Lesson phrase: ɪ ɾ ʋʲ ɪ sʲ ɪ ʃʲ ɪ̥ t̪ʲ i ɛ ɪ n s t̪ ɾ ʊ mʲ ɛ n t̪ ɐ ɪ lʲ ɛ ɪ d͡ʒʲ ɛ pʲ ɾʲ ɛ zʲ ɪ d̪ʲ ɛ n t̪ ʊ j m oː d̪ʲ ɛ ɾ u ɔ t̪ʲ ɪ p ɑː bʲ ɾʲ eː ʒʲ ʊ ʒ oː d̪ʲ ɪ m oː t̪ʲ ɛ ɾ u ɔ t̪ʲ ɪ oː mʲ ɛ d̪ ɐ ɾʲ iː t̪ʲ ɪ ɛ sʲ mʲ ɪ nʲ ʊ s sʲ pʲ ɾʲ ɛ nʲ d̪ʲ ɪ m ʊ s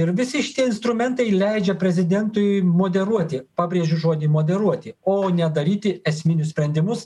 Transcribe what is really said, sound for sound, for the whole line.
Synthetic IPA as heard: ɪ ɾ ʋʲ ɪ sʲ ɪ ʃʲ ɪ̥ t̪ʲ i ɛ ɪ n s t̪ ɾ ʊ mʲ ɛ n t̪ ɐ ɪ lʲ ɛ ɪ d͡ʒʲ ɛ pʲ ɾʲ ɛ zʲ ɪ d̪ʲ ɛ n t̪ ʊ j m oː d̪ʲ ɛ ɾ u ɔ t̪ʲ ɪ p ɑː bʲ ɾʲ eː ʒʲ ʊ ʒ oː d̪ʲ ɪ m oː d̪ʲ ɛ ɾ u ɔ t̪ʲ ɪ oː nʲ ɛ d̪ ɐ ɾʲ iː t̪ʲ ɪ ɛ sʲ mʲ ɪ nʲ ʊ s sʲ pʲ ɾʲ ɛ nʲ d̪ʲ ɪ m ʊ s

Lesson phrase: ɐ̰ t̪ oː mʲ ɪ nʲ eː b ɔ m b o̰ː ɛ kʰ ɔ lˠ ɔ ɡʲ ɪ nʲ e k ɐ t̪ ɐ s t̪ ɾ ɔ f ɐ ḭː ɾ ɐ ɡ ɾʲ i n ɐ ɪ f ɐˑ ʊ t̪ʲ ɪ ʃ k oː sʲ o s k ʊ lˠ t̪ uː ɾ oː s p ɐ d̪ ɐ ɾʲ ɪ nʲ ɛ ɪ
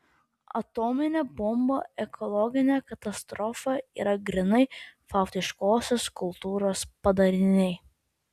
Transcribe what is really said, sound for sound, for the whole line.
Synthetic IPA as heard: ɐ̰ t̪ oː mʲ ɪ nʲ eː b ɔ m b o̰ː ɛ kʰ ɔ lˠ ɔ ɡʲ ɪ nʲ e k ɐ t̪ ɐ s t̪ ɾ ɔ f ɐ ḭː ɾ ɐ ɡ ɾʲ ɪ n ɐ ɪ f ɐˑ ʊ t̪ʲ ɪ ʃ k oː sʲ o s k ʊ lˠ t̪ uː ɾ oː s p ɐ d̪ ɐ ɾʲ ɪ nʲ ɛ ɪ

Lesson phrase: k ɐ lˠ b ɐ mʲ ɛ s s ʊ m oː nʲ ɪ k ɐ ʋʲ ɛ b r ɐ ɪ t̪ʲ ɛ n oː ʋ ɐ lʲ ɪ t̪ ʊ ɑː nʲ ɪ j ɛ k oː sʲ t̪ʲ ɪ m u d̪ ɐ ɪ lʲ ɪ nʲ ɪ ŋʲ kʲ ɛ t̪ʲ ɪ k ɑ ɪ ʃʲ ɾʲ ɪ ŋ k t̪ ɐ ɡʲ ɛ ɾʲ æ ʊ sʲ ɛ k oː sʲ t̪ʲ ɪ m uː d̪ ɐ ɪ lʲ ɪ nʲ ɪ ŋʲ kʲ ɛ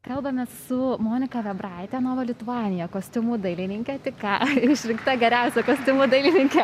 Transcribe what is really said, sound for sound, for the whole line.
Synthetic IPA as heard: k ɐ lˠ b ɐ mʲ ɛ s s ʊ m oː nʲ ɪ k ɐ ʋʲ ɛ b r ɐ ɪ t̪ʲ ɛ n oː ʋ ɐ lʲ ɪ t̪ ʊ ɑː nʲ ɪ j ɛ k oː sʲ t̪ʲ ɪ m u d̪ ɐ ɪ lʲ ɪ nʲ ɪ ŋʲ kʲ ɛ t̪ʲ ɪ k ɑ ɪ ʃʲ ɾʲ ɪ ŋ k t̪ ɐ ɡʲ ɛ ɾʲ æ ʊ sʲ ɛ k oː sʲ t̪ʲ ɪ m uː d̪ ɐ ɪ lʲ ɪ nʲ ɪ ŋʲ kʲ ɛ

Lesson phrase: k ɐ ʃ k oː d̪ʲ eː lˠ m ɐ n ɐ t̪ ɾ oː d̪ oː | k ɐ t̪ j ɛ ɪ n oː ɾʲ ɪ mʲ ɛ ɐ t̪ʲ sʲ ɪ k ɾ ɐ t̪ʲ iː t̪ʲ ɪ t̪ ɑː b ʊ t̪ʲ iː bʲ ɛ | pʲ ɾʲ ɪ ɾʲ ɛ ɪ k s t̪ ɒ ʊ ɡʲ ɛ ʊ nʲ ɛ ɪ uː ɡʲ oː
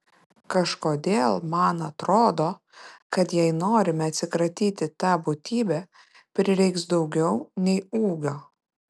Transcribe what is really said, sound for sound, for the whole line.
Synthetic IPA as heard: k ɐ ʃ k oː d̪ʲ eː lˠ m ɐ n ɐ t̪ ɾ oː d̪ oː | k ɐ t̪ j ɛ ɪ n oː ɾʲ ɪ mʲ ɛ ɐ t̪ʲ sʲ ɪ k ɾ ɐ t̪ʲ iː t̪ʲ ɪ t̪ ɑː b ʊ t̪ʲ iː bʲ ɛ | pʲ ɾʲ ɪ ɾʲ ɛ ɪ k s d̪ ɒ ʊ ɡʲ ɛ ʊ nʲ ɛ ɪ uː ɡʲ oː

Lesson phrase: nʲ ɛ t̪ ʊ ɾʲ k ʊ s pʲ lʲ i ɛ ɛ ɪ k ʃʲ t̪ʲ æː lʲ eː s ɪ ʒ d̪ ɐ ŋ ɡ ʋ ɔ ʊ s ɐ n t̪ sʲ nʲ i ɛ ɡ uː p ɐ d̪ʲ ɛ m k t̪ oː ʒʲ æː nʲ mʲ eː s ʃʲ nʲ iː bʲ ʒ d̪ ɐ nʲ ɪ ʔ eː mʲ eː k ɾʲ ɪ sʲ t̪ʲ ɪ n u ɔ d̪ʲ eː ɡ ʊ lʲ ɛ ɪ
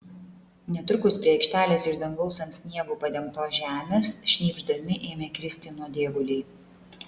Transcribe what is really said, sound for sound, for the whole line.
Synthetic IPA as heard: nʲ ɛ t̪ ʊ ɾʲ k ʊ s pʲ ɾʲ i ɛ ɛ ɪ k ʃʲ t̪ʲ æː lʲ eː s ɪ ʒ d̪ ɐ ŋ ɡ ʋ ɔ ʊ s ɐ n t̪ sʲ nʲ i ɛ ɡ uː p ɐ d̪ʲ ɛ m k t̪ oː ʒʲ æː mʲ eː s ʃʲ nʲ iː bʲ ʒ d̪ ɐ mʲ ɪ ʔ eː mʲ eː k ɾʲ ɪ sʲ t̪ʲ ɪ n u ɔ d̪ʲ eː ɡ ʊ lʲ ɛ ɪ

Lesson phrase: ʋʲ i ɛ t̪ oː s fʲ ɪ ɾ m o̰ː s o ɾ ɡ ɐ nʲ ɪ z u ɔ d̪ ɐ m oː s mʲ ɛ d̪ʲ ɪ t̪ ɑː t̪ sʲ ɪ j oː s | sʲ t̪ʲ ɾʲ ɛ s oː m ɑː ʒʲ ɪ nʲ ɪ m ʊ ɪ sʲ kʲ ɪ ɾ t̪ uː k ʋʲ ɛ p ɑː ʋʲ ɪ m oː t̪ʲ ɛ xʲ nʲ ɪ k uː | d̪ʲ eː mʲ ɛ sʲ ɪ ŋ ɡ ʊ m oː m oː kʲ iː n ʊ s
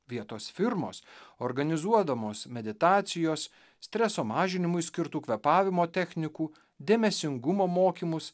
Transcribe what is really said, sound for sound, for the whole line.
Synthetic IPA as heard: ʋʲ i ɛ t̪ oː s fʲ ɪ ɾ m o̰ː s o ɾ ɡ ɐ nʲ ɪ z u ɔ d̪ ɐ m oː s mʲ ɛ d̪ʲ ɪ t̪ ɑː t̪ sʲ ɪ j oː s | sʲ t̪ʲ ɾʲ ɛ s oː m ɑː ʒʲ ɪ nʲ ɪ m ʊ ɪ sʲ kʲ ɪ ɾ t̪ uː k ʋʲ ɛ p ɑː ʋʲ ɪ m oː t̪ʲ ɛ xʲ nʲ ɪ k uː | d̪ʲ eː mʲ ɛ sʲ ɪ ŋ ɡ ʊ m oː m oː kʲ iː m ʊ s

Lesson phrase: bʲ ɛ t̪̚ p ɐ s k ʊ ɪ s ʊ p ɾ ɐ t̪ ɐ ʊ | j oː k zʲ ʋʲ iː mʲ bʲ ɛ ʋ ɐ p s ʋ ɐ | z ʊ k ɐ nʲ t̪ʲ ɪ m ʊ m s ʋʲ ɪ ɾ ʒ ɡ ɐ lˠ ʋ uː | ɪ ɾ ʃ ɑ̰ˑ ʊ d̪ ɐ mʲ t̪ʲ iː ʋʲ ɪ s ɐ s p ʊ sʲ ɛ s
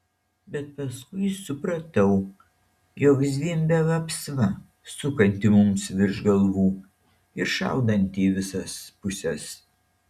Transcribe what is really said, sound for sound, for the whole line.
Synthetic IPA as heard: bʲ ɛ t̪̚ p ɐ s k ʊ ɪ s ʊ p ɾ ɐ t̪ ɐ ʊ | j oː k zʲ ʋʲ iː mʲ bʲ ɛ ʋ ɐ p s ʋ ɐ | s ʊ k ɐ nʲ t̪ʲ ɪ m ʊ m s ʋʲ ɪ ɾ ʒ ɡ ɐ lˠ ʋ uː | ɪ ɾ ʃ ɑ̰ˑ ʊ d̪ ɐ nʲ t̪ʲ iː ʋʲ ɪ s ɐ s p ʊ sʲ ɛ s

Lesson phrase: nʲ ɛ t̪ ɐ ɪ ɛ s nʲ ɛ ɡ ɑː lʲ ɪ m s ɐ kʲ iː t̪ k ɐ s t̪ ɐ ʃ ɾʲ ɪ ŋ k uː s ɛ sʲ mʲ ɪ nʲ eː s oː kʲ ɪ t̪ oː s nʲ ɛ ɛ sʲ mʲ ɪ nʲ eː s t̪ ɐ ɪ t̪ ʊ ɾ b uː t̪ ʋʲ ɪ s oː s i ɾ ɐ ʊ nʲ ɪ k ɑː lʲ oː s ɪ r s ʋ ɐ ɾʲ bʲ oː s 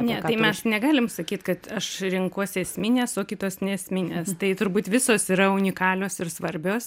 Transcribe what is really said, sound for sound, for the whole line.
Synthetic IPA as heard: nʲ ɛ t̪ ɐ ɪ ɛ s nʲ ɛ ɡ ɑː lʲ ɪ m s ɐ kʲ iː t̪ k ɐ t̪ ɐ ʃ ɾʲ ɪ ŋ k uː s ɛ sʲ mʲ ɪ nʲ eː s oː kʲ ɪ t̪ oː s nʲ ɛ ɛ sʲ mʲ ɪ nʲ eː s t̪ ɐ ɪ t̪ ʊ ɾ b uː t̪ ʋʲ ɪ s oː s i ɾ ɐ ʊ nʲ ɪ k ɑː lʲ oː s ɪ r s ʋ ɐ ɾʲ bʲ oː s

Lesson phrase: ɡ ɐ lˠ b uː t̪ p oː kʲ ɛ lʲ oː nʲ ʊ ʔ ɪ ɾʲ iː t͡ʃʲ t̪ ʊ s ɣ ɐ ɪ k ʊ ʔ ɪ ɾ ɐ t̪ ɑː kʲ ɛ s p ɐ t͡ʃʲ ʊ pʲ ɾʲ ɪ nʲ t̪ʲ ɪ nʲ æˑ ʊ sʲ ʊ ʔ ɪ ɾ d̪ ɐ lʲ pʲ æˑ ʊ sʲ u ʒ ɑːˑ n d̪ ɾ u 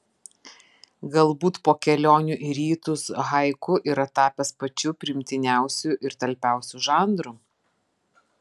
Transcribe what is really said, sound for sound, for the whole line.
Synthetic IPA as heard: ɡ ɐ lˠ b uː t̪ p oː kʲ ɛ lʲ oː nʲ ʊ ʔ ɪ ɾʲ iː t̪ ʊ s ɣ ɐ ɪ k ʊ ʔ ɪ ɾ ɐ t̪ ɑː pʲ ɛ s p ɐ t͡ʃʲ ʊ pʲ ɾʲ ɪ mʲ t̪ʲ ɪ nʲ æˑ ʊ sʲ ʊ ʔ ɪ ɾ t̪ ɐ lʲ pʲ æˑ ʊ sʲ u ʒ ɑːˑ n d̪ ɾ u

